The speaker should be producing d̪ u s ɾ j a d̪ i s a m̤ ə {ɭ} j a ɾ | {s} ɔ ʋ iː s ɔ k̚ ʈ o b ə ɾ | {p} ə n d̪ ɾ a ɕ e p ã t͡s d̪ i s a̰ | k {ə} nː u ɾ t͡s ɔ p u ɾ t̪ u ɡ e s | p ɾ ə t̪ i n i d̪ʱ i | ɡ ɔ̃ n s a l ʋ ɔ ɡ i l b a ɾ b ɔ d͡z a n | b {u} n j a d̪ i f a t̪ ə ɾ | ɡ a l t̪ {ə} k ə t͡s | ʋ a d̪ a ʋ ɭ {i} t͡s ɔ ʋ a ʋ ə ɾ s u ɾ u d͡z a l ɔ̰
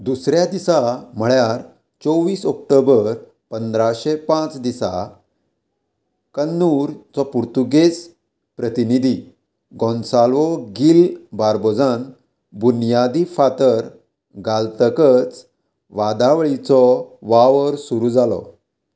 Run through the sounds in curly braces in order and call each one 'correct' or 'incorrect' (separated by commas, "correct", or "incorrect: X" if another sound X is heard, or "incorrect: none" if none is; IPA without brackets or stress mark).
correct, incorrect: t͡s, correct, correct, correct, correct, correct